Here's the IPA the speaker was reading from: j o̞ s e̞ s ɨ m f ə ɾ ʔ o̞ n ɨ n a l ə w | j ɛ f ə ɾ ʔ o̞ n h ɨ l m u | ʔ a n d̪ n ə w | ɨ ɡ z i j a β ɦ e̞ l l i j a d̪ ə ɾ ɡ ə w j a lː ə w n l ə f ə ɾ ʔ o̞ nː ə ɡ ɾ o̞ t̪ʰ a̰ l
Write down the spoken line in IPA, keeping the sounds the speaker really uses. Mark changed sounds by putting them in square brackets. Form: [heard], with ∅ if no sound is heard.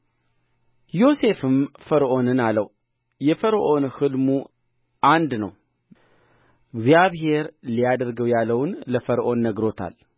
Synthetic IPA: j o̞ s e̞ [f] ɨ m f ə ɾ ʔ o̞ n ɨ n a l ə w | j ɛ f ə ɾ ʔ o̞ n h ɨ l m u | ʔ a n d̪ n ə w | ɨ ɡ z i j a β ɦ e̞ [ɾ] l i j a d̪ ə ɾ ɡ ə w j a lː ə w n l ə f ə ɾ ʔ o̞ nː ə ɡ ɾ o̞ t̪ʰ a̰ l